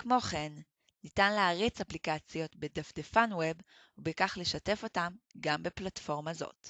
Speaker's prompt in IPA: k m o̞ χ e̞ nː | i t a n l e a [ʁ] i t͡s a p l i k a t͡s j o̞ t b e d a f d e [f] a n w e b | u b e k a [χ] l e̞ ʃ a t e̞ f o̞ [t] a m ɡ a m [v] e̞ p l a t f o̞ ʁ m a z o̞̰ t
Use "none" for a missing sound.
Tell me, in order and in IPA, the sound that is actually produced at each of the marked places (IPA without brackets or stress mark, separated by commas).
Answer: ʁ, f, χ, t, b